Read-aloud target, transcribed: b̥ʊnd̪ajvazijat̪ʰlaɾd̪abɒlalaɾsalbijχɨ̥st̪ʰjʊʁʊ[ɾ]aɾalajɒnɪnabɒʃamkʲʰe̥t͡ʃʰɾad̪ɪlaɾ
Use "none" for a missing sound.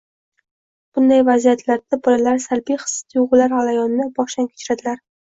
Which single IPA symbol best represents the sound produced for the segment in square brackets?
l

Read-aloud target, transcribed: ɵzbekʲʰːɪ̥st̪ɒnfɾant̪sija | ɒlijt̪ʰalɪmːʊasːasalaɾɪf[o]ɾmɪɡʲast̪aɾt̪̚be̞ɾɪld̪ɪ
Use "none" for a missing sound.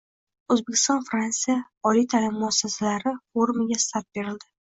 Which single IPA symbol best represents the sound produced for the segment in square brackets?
o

